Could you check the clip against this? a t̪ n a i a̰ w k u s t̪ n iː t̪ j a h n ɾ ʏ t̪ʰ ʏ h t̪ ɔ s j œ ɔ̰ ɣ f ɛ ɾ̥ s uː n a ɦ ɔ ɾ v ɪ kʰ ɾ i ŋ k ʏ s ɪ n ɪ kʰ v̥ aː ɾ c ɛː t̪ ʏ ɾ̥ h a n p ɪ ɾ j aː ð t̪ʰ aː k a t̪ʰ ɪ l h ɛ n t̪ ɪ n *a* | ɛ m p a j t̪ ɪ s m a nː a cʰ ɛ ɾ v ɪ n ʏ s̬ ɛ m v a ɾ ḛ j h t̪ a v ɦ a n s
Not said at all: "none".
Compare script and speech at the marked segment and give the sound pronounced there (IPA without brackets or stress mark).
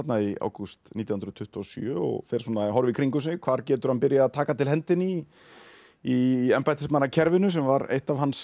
i